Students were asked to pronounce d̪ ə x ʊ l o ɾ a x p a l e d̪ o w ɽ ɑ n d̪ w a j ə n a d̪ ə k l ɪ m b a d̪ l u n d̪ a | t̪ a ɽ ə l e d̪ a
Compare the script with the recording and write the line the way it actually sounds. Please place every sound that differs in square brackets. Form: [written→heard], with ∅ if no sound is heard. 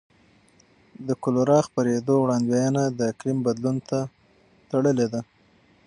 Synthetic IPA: d̪ ə [x→k] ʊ l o ɾ [a→ɑ] x p a [l→ɾ] e d̪ o w ɽ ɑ n d̪ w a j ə n a d̪ ə k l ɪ m b a d̪ l u n [d̪→t̪] a | t̪ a ɽ ə l e d̪ a